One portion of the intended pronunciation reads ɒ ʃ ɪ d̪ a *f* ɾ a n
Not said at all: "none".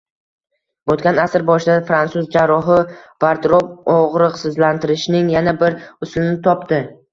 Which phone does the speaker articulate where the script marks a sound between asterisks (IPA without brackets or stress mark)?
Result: f